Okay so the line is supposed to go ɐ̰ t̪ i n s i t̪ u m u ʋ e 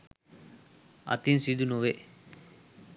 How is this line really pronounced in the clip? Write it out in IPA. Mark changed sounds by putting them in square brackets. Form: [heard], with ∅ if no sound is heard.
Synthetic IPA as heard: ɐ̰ t̪ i n s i [d̪] u [n] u ʋ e